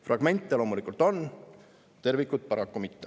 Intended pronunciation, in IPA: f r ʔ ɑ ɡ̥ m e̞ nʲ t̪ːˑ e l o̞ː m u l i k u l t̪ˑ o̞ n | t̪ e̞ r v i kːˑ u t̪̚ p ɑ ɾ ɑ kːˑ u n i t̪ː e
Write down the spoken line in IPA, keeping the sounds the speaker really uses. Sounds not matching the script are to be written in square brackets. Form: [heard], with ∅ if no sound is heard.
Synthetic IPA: f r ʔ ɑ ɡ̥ m e̞ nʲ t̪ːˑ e l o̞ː m u l i k u l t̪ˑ o̞ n | t̪ e̞ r v i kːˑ u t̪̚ p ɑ ɾ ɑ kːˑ u [m] i t̪ː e